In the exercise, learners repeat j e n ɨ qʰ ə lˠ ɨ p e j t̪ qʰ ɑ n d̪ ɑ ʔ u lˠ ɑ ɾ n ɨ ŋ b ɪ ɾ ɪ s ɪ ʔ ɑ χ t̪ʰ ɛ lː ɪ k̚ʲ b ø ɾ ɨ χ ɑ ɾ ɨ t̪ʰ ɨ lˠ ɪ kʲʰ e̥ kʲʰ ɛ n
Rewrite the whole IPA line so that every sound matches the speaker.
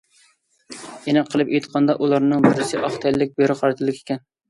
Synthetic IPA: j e n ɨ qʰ ə lˠ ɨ p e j t̪ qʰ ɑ n d̪ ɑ ʔ u lˠ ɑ ɾ n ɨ ŋ b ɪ ɾ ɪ s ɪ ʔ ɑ χ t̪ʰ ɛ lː ɪ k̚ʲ b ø ɾ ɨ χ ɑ ɾ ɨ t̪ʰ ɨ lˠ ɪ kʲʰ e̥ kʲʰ ɛ n